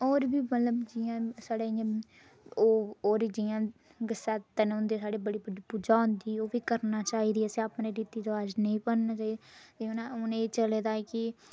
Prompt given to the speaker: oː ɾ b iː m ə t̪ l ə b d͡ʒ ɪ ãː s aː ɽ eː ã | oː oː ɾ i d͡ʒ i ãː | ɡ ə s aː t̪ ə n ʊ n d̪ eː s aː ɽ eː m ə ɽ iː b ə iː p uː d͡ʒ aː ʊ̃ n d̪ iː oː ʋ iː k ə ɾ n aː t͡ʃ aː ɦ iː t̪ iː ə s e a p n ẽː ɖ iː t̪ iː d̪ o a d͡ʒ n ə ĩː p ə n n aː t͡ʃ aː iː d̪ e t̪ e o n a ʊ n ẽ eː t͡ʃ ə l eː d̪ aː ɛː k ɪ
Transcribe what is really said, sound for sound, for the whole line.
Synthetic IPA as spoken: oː ɾ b iː m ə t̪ l ə b d͡ʒ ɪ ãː s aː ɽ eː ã | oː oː ɾ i d͡ʒ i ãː | ɡ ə s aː t̪ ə n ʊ n d̪ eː s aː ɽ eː b ə ɽ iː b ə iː p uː d͡ʒ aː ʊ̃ n d̪ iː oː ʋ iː k ə ɾ n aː t͡ʃ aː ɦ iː d̪ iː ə s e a p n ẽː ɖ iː t̪ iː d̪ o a d͡ʒ n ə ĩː p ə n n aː t͡ʃ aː i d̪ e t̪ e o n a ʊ n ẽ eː t͡ʃ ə l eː d̪ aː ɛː k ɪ